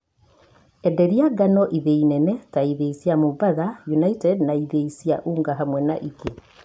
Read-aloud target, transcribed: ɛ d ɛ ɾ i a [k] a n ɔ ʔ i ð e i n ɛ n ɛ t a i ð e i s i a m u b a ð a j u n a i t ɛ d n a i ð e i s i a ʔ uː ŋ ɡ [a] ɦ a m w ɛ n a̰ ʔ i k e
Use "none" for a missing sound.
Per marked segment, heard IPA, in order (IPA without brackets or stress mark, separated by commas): ɡ, a